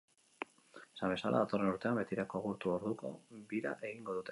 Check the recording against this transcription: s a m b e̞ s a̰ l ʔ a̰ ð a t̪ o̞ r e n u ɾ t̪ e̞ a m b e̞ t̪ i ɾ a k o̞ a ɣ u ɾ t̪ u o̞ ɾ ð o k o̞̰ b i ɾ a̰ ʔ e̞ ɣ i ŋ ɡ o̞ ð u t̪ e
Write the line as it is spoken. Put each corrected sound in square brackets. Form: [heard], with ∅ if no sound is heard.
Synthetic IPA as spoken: s a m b e̞ s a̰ l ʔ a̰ ð a t̪ o̞ r e n u ɾ t̪ e̞ a m b e̞ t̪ i ɾ a k o̞ a ɣ u ɾ t̪ u o̞ ɾ ð [u] k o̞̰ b i ɾ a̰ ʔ e̞ ɣ i ŋ ɡ o̞ ð u t̪ e